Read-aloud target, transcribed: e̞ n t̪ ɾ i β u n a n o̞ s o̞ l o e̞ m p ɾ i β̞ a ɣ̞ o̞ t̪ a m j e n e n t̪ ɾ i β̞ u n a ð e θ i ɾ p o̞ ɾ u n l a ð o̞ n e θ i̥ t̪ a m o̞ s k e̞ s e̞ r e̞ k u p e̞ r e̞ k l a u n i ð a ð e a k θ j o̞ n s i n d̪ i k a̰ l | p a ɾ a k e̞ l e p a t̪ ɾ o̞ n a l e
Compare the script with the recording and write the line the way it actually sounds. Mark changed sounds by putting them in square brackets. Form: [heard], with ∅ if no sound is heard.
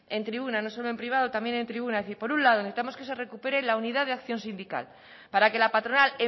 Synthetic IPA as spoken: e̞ n t̪ ɾ i β u n a n o̞ s o̞ l o e̞ m p ɾ i β̞ a [ð̞] o̞ t̪ a m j e n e n t̪ ɾ i β̞ u n a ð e θ i ɾ p o̞ ɾ u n l a ð o̞ n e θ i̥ t̪ a m o̞ s k e̞ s e̞ r e̞ k u p e̞ [ɾ] e̞ [∅] l a u n i ð a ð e a k θ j o̞ n s i n d̪ i k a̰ l | p a ɾ a k e̞ l [a] p a t̪ ɾ o̞ n a l e